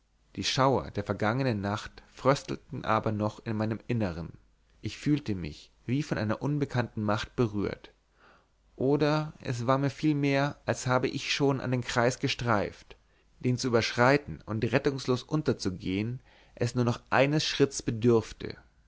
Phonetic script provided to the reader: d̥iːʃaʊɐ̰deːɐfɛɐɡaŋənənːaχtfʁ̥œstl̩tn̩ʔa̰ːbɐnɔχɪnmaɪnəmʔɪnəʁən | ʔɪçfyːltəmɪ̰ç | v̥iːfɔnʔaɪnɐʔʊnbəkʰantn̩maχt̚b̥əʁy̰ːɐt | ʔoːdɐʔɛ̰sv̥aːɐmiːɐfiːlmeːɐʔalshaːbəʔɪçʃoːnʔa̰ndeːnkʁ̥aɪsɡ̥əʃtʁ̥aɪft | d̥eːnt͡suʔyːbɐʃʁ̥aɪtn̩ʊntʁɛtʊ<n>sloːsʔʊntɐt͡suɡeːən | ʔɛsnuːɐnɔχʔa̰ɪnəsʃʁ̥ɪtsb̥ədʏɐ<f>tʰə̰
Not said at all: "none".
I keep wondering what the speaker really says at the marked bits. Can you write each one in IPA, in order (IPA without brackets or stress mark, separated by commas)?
ŋ, f